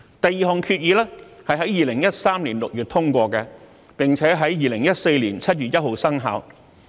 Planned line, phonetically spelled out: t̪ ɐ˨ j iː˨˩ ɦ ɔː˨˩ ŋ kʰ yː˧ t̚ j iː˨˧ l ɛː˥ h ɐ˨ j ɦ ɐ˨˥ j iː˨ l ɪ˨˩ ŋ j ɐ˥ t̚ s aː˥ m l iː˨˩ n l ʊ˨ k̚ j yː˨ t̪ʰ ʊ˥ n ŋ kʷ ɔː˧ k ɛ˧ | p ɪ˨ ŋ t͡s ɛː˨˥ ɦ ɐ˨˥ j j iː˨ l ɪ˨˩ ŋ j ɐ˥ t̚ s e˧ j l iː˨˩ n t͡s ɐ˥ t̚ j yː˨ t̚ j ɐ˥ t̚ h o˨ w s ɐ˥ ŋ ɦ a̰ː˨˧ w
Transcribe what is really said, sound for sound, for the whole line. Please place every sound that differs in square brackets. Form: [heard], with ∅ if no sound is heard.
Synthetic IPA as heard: t̪ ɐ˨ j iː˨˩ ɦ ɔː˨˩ ŋ kʰ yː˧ t̚ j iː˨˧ l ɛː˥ h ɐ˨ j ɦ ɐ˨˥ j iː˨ l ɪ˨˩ ŋ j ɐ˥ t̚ s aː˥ m l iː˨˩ n l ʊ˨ k̚ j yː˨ t̪ʰ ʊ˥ [∅] ŋ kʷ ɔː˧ k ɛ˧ | p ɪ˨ ŋ [t͡sʰ] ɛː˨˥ ɦ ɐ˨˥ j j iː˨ l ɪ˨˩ ŋ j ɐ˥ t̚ s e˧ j l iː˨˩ n [t͡sʰ] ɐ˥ t̚ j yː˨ t̚ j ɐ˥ t̚ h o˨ w s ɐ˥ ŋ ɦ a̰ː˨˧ w